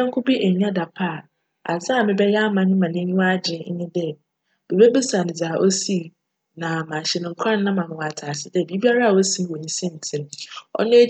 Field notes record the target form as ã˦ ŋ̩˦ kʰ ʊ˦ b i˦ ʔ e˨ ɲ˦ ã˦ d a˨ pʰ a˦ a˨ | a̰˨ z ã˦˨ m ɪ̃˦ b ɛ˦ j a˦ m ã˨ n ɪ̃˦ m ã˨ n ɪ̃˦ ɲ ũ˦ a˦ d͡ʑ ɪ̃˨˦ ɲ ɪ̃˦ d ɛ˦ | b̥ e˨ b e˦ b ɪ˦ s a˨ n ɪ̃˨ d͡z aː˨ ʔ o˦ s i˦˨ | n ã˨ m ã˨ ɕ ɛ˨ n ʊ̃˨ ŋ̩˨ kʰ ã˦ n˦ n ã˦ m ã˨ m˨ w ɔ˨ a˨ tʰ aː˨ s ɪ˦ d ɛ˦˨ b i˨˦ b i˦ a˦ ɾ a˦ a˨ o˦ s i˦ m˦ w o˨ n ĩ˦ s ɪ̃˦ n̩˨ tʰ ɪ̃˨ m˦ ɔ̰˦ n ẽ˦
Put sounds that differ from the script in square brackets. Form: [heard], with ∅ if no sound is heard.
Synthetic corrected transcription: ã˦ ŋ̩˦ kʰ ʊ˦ b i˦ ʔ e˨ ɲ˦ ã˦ d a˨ pʰ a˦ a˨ | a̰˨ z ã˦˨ m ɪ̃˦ b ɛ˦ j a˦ m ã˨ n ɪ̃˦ m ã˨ n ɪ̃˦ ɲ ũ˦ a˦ d͡ʑ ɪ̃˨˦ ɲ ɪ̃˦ d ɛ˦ | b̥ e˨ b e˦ b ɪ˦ s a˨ n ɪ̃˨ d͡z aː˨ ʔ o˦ s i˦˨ | n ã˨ m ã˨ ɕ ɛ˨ n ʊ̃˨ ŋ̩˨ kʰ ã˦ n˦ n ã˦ m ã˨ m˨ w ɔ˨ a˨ tʰ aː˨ s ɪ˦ d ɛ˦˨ b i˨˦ b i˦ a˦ ɾ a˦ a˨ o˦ s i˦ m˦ w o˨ n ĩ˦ s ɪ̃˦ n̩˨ tʰ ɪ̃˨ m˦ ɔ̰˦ n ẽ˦